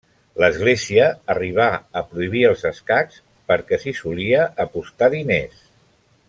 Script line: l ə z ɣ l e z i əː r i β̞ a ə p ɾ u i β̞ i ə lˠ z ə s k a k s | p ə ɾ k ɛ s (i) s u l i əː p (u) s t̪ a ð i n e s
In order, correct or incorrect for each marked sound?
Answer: correct, correct

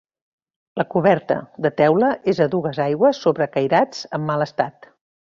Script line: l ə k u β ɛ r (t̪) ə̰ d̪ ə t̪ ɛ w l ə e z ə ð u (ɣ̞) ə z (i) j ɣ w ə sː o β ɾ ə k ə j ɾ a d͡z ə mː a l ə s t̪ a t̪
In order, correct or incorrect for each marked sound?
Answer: correct, correct, incorrect: a

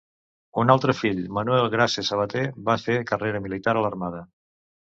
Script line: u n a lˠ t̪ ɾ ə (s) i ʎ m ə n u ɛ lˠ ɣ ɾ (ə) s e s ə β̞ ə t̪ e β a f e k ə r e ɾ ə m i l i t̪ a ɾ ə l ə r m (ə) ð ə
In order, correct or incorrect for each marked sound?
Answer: incorrect: f, incorrect: a, incorrect: a

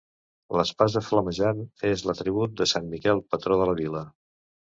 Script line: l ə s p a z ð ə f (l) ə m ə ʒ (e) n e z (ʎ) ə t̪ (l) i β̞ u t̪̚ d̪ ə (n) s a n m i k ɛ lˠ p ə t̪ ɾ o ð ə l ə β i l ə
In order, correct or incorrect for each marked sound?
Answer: correct, incorrect: a, incorrect: l, incorrect: ɾ, incorrect: none

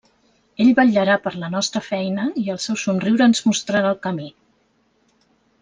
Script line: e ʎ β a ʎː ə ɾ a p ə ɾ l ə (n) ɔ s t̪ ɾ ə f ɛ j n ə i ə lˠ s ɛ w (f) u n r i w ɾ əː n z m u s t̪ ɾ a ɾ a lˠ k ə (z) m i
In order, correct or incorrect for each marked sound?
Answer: correct, incorrect: s, incorrect: none

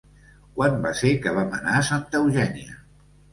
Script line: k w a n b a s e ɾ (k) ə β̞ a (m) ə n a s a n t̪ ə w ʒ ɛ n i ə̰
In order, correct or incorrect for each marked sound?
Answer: correct, correct

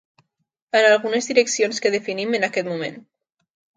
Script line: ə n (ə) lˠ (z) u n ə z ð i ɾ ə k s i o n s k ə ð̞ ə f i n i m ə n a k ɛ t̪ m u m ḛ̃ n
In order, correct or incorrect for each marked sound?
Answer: incorrect: a, incorrect: ɣ

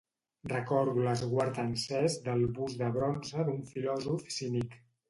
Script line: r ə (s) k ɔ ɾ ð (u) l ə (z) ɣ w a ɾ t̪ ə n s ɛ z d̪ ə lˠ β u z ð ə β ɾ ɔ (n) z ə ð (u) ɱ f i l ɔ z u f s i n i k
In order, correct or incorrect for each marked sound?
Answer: incorrect: none, correct, correct, correct, correct

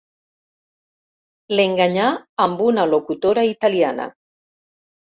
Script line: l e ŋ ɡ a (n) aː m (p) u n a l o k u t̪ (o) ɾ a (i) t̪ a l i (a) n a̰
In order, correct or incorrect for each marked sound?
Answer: incorrect: ɲ, incorrect: b, correct, correct, correct

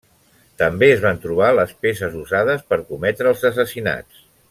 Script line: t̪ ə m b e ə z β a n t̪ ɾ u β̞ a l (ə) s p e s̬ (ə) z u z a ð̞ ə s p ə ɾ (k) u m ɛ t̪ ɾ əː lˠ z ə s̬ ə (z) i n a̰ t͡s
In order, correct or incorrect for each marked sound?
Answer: correct, correct, correct, incorrect: s

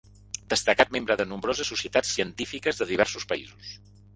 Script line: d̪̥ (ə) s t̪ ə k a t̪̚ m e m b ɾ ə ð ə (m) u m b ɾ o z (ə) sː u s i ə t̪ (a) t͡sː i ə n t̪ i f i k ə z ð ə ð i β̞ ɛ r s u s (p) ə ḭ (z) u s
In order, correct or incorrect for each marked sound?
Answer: correct, incorrect: n, correct, correct, correct, correct

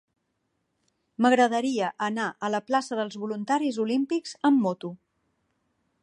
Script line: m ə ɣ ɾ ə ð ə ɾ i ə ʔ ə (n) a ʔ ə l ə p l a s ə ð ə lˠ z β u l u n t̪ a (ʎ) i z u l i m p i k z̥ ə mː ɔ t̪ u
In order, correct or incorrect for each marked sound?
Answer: correct, incorrect: ɾ

